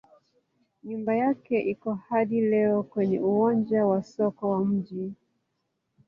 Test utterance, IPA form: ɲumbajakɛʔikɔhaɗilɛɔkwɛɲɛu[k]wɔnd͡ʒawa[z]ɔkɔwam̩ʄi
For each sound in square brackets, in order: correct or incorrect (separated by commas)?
incorrect, incorrect